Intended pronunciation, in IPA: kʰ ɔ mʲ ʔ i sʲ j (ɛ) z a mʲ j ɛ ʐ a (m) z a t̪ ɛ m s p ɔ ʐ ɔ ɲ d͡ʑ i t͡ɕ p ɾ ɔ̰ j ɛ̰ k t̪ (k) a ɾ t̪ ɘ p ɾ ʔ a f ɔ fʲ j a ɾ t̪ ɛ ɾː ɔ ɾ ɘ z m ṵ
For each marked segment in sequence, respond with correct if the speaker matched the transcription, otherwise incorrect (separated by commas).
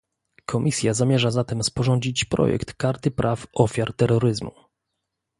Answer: incorrect, incorrect, correct